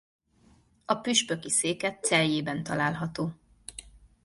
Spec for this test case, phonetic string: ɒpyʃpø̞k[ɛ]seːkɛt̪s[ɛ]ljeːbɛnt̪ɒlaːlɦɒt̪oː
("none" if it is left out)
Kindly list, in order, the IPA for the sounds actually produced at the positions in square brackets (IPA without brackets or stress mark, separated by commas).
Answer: i, ɛ